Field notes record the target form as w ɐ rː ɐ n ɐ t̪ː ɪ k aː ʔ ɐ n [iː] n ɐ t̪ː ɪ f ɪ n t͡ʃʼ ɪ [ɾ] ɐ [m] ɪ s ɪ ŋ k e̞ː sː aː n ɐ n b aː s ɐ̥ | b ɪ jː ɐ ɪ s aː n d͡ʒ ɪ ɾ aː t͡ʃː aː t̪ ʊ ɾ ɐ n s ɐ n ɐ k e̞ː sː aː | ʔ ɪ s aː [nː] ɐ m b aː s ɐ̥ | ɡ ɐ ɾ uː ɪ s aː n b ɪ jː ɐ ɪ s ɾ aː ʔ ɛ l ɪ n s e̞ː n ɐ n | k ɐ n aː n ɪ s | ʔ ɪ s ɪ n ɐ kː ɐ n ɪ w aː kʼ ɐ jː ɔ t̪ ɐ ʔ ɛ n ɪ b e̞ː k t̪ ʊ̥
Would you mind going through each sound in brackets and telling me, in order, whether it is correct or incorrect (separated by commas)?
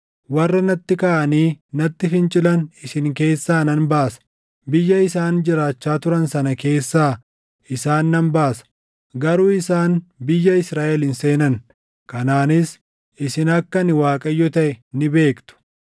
correct, incorrect, incorrect, correct